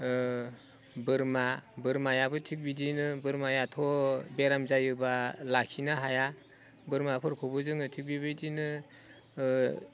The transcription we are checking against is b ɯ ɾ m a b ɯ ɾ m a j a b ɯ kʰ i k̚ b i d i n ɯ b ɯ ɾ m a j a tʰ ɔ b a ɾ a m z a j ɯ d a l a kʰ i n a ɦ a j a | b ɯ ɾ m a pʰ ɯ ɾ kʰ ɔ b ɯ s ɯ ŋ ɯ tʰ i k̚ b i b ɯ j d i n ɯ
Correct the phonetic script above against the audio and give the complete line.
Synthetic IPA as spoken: b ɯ ɾ m a b ɯ ɾ m a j a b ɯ tʰ i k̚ b i d i n ɯ b ɯ ɾ m a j a tʰ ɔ b e ɾ a m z a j ɯ b a l a kʰ i n a ɦ a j a | b ɯ ɾ m a pʰ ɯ ɾ kʰ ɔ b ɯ z ɯ ŋ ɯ tʰ i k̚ b i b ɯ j d i n ɯ